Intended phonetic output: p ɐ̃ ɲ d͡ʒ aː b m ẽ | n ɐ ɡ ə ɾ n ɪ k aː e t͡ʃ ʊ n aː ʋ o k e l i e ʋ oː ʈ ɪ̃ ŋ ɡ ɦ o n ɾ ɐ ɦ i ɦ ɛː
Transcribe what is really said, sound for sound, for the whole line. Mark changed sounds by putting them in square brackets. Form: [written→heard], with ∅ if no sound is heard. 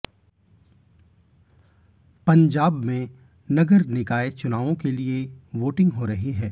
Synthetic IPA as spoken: p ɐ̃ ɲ d͡ʒ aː b m ẽ | n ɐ ɡ ə ɾ n ɪ k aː e t͡ʃ ʊ n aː ʋ [o→õ] k e l i e ʋ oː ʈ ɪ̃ ŋ ɡ ɦ o [n→∅] ɾ ɐ ɦ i ɦ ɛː